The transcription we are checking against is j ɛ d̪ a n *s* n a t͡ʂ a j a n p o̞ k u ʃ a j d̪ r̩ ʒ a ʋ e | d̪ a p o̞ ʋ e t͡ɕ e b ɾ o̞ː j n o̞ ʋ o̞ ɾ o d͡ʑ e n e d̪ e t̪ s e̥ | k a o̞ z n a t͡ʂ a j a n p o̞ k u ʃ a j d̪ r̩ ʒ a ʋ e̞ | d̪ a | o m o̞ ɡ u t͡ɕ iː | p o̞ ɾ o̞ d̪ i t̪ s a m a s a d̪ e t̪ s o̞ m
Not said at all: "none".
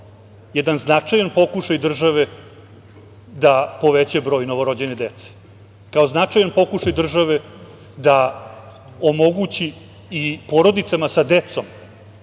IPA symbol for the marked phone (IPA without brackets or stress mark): z